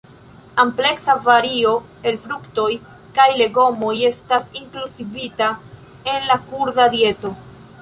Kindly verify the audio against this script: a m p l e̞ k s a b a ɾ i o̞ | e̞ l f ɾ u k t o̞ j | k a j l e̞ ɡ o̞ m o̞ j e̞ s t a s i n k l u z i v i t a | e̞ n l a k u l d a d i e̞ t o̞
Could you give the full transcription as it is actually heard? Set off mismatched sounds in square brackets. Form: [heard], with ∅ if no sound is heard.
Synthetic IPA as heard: a m p l e̞ k s a [v] a ɾ i o̞ | e̞ l f ɾ u k t o̞ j | k a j l e̞ ɡ o̞ m o̞ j e̞ s t a s i [ŋ] k l u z i v i t a | e̞ n l a k u [ɾ] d a d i e̞ t o̞